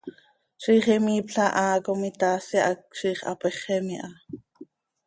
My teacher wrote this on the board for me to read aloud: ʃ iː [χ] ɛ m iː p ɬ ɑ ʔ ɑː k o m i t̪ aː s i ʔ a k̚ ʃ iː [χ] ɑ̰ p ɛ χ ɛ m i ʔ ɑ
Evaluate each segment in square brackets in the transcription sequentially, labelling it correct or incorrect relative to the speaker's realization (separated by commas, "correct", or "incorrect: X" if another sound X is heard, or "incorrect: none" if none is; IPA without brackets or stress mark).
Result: correct, correct